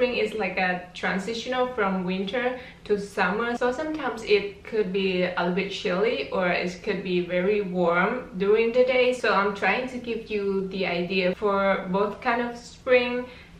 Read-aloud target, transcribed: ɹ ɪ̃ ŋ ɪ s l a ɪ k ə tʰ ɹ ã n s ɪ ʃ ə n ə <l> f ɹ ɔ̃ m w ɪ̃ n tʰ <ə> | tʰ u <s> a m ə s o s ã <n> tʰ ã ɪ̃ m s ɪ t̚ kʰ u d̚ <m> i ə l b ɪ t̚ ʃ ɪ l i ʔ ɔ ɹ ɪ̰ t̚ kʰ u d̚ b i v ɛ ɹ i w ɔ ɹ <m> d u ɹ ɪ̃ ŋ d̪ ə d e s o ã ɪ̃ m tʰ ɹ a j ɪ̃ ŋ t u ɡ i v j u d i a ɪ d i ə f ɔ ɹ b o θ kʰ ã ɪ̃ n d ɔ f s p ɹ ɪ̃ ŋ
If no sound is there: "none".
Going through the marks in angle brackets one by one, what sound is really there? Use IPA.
l, ə, s, m, b, m

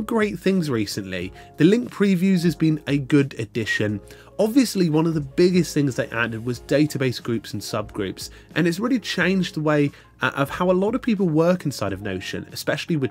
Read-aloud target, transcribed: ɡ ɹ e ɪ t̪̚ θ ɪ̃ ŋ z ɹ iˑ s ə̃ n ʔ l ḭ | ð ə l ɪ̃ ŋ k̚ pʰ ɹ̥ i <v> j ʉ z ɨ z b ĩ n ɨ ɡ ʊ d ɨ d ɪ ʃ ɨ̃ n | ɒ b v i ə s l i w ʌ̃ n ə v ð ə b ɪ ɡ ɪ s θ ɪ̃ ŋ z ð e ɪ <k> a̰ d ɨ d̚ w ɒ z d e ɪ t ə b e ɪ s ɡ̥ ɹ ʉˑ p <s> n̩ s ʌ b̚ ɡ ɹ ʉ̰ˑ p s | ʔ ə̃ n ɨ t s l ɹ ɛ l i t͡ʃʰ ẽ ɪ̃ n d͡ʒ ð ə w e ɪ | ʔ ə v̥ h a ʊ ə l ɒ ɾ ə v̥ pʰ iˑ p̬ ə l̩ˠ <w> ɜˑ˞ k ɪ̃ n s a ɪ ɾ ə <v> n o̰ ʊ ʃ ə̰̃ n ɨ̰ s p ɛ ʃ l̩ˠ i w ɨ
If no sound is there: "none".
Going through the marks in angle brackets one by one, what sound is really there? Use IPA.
v, ʔ, s, w, v

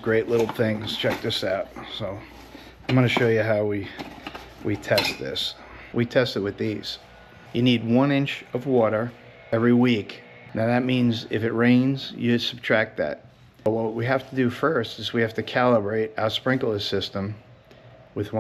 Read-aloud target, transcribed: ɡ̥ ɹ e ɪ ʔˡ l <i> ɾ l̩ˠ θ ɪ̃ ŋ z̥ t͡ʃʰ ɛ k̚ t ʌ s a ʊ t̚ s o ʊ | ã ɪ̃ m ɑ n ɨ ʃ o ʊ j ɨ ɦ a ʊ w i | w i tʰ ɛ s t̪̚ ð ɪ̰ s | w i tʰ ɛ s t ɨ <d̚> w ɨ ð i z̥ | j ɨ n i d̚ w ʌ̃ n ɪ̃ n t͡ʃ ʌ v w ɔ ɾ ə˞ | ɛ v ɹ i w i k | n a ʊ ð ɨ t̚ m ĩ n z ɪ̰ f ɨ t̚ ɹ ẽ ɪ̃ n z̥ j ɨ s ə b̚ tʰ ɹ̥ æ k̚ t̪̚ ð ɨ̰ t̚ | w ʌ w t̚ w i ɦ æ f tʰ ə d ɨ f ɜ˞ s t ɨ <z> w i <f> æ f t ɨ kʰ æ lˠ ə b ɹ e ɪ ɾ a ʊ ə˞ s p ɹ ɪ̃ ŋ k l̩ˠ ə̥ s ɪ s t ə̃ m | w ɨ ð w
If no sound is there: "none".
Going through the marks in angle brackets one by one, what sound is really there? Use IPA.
ɪ, t̚, z, h

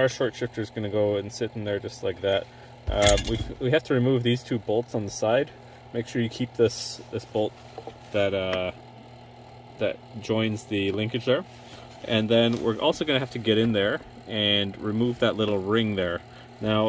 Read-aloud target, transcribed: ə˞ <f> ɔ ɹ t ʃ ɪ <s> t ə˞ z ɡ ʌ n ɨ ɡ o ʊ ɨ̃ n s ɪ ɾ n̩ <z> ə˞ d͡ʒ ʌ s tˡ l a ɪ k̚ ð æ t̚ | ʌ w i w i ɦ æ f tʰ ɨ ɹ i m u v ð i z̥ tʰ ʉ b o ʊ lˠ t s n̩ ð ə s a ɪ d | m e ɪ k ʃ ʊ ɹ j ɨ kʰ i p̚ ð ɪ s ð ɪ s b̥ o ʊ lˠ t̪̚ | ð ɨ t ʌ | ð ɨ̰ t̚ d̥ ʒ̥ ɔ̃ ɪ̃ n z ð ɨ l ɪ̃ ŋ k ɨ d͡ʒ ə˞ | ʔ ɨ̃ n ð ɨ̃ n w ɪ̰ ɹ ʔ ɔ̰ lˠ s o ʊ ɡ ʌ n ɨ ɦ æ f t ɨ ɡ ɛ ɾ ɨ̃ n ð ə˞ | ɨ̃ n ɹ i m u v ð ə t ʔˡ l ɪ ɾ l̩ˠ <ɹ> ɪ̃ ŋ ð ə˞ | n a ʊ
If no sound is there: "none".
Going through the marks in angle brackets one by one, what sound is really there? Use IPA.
ʃ, f, ð, ɹ

